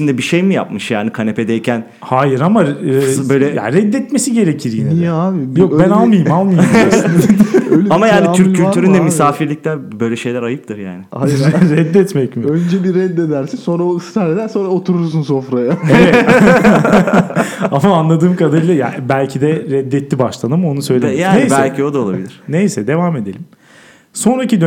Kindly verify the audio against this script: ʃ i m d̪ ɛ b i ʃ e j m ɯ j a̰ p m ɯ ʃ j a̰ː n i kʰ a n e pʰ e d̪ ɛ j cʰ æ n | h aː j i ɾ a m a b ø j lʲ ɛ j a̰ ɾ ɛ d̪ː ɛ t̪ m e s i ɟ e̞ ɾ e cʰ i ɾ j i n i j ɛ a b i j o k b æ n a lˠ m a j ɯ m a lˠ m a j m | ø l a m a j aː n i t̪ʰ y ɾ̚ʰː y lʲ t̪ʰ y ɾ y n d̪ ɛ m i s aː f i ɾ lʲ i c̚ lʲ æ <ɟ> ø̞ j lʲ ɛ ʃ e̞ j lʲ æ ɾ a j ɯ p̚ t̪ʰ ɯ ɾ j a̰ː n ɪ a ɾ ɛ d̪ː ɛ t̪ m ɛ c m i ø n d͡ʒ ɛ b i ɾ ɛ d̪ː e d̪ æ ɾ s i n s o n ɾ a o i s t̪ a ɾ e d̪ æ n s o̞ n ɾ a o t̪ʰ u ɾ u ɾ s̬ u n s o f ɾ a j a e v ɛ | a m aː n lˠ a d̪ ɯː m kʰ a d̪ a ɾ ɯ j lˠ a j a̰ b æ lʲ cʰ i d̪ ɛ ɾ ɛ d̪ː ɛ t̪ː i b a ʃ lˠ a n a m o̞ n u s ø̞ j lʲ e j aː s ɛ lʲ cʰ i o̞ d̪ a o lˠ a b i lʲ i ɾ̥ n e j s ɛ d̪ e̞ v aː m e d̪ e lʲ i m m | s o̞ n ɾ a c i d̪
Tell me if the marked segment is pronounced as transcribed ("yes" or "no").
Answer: no